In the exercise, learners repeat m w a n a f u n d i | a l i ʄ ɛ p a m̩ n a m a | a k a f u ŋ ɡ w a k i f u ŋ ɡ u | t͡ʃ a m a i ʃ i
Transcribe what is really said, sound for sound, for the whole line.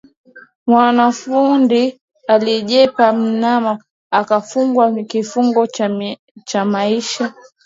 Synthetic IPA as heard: m w a n a f u n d i | a l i ʄ ɛ p a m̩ n a m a | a k a f u ŋ ɡ w a k i f u ŋ ɡ ɔ | t͡ʃ a m a i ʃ a